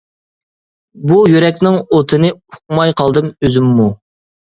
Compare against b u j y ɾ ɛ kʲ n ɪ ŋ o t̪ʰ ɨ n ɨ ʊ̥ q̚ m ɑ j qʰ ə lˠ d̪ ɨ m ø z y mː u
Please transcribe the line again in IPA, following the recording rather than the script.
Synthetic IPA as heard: b u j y ɾ ɛ kʲ n ɪ ŋ o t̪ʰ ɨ n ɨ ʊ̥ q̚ m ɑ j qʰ ɑ lˠ d̪ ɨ m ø z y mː u